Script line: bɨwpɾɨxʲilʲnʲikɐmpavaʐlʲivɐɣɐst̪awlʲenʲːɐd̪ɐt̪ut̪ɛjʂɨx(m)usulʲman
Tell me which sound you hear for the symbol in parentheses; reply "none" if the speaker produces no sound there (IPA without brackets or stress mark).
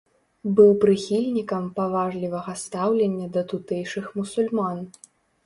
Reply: m